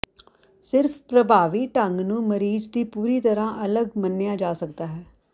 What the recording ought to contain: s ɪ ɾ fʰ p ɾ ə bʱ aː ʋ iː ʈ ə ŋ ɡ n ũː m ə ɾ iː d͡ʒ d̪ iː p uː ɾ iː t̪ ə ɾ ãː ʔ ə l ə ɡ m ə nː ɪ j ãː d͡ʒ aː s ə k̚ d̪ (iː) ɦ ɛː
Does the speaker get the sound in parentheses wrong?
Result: yes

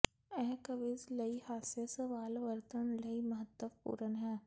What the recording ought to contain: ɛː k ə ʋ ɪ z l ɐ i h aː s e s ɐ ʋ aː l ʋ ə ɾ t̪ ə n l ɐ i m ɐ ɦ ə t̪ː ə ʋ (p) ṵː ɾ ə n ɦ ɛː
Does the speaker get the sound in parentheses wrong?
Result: no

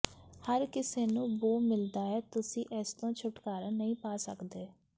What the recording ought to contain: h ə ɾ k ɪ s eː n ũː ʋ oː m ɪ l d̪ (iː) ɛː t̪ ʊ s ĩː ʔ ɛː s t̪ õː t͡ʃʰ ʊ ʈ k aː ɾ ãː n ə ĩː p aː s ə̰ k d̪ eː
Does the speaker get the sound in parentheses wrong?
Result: yes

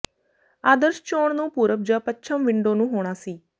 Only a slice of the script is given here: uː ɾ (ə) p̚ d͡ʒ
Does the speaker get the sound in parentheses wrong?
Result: no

